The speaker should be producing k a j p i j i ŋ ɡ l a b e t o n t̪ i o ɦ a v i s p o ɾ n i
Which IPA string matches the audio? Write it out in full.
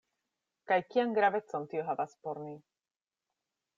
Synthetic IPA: k a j k i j a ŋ ɡ ɾ a v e t͡s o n t̪ i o ɦ a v a s p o ɾ n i